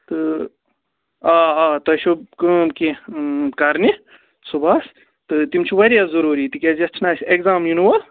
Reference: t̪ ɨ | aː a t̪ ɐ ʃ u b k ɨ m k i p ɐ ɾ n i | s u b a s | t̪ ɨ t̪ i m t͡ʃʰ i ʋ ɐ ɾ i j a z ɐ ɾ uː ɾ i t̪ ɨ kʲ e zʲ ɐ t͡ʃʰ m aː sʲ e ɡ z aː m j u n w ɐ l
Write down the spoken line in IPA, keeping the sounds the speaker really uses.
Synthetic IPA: t̪ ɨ | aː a t̪ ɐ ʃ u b k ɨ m k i k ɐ ɾ n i | s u b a s | t̪ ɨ t̪ i m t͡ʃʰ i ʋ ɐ ɾ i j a z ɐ ɾ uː ɾ i t̪ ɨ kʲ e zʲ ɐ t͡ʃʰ n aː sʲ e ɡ z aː m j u n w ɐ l